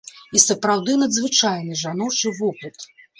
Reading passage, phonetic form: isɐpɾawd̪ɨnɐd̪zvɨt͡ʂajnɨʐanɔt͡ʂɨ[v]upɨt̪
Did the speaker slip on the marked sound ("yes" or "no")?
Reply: no